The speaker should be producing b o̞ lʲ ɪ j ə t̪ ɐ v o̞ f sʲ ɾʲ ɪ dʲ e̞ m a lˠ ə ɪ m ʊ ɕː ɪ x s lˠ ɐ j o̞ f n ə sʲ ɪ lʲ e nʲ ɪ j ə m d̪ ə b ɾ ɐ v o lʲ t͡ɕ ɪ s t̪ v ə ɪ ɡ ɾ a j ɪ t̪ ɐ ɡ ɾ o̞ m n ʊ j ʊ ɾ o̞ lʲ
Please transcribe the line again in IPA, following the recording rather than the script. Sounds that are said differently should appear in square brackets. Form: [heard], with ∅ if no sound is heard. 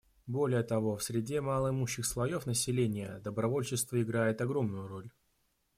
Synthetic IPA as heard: b o̞ lʲ ɪ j ə t̪ ɐ v o̞ f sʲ ɾʲ ɪ dʲ e̞ m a lˠ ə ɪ m [u] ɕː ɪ x s lˠ ɐ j o̞ f n ə sʲ ɪ lʲ e nʲ ɪ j ə [∅] d̪ ə b ɾ ɐ v o lʲ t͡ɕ ɪ s t̪ v ə ɪ ɡ ɾ a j ɪ t̪ ɐ ɡ ɾ o̞ m n ʊ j ʊ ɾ o̞ lʲ

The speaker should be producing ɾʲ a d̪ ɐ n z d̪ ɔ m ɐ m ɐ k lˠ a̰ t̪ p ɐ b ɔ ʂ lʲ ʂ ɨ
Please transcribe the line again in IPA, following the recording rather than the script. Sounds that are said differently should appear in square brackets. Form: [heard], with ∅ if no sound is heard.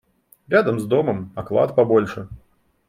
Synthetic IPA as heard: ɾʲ a d̪ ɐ [m] z d̪ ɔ m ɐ m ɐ k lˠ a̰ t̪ p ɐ b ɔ [∅] lʲ ʂ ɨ

